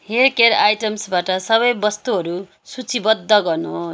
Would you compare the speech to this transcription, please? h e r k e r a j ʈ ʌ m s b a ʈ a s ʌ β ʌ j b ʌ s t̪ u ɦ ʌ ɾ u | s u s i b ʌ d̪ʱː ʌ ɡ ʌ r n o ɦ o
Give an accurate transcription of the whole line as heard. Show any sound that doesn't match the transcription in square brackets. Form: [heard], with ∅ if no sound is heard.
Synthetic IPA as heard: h e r k e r a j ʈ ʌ m s b a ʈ [ʌ] s ʌ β ʌ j b ʌ s t̪ u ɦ ʌ ɾ u | s u [t͡s] i b ʌ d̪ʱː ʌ ɡ ʌ r n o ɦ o

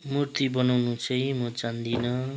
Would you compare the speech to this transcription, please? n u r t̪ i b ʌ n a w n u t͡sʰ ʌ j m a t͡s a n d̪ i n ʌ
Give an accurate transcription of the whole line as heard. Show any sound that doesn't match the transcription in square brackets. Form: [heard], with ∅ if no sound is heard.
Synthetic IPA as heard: [m] u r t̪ i b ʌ n a w n u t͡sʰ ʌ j m [ʌ] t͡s a n d̪ i n ʌ

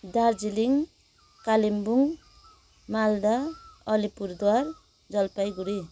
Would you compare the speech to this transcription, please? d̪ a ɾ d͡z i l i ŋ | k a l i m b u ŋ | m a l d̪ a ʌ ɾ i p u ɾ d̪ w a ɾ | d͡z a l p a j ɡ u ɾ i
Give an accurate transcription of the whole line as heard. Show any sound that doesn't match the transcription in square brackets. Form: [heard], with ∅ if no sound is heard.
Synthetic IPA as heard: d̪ a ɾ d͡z i l i ŋ | k a l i m b u ŋ | m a l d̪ a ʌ [l] i p u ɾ d̪ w a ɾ | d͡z [ʌ] l p a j ɡ u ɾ i

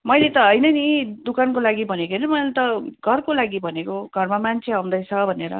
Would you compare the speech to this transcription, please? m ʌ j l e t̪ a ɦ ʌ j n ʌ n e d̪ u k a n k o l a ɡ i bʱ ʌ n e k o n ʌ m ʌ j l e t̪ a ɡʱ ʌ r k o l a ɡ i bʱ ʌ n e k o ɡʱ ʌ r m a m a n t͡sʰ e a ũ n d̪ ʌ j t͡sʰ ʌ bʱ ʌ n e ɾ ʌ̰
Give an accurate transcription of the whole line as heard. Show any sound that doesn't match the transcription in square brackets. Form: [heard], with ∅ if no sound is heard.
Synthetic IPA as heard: m ʌ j l e t̪ [ʌ] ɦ ʌ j n ʌ n [i] d̪ u k a n k o l a ɡ i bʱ ʌ n e k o n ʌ m ʌ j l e t̪ [ʌ] ɡʱ ʌ r k o l a ɡ i bʱ ʌ n e k o ɡʱ ʌ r m a m a n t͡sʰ e a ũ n d̪ ʌ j t͡sʰ ʌ bʱ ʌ n e ɾ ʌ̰

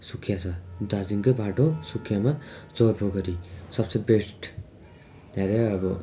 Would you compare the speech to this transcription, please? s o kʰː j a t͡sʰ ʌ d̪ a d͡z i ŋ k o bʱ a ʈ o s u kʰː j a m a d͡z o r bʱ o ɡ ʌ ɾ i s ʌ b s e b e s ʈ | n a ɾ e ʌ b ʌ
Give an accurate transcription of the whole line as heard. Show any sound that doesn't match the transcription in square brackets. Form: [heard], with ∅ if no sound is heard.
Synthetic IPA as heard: s [u] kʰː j a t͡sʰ ʌ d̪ a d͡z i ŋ k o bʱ a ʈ o s u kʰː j a m a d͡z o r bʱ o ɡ ʌ ɾ i s ʌ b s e b e s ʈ | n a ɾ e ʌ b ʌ

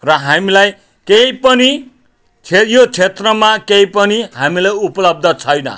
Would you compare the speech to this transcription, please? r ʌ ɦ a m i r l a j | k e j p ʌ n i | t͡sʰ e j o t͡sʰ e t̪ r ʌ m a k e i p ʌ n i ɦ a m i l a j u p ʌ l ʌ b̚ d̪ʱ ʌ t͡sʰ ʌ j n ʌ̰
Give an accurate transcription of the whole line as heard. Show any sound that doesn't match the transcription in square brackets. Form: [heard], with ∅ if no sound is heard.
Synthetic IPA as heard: r ʌ ɦ a m i [∅] l a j | k e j p ʌ n i | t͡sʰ e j o t͡sʰ e t̪ r ʌ m a k e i p ʌ n i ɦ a m i l a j u p ʌ l ʌ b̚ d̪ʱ ʌ t͡sʰ ʌ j n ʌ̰

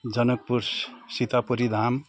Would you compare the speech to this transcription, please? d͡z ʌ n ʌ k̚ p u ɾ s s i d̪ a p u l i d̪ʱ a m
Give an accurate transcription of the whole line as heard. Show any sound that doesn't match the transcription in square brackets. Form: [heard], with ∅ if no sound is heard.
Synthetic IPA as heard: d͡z ʌ n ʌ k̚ p u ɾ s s i [t̪] a p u [ɾ] i d̪ʱ a m

